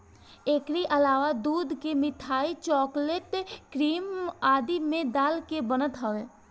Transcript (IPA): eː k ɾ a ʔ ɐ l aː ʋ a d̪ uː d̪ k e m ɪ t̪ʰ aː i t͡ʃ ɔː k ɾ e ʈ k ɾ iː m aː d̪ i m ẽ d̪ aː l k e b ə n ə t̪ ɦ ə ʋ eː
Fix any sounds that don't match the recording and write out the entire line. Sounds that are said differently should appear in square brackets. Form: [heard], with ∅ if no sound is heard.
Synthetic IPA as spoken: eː k ɾ [i] ʔ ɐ l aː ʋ a d̪ uː d̪ k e m ɪ t̪ʰ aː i t͡ʃ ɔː k [l] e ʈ k ɾ iː m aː d̪ i m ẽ d̪ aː l k e b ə n ə t̪ ɦ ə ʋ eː